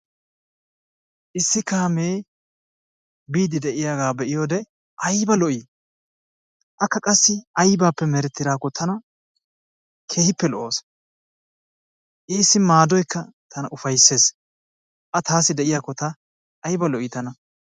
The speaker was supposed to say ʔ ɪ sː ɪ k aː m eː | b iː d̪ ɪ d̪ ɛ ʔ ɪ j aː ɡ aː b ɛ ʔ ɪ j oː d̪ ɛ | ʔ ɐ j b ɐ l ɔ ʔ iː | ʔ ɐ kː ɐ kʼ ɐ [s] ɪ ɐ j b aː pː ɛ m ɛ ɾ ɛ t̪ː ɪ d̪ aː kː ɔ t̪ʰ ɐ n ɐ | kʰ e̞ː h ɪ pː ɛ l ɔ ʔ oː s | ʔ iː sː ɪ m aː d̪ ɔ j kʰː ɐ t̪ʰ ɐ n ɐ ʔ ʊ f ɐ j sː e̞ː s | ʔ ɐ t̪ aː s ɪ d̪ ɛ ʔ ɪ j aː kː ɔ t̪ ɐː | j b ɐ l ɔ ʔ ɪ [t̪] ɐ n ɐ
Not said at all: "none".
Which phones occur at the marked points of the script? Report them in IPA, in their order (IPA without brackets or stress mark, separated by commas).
sː, t̪